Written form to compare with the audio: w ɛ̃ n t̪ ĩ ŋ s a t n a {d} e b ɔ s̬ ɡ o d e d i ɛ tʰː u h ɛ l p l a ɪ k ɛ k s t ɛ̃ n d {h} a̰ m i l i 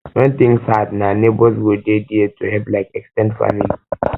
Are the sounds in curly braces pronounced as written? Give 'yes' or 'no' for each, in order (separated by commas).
no, no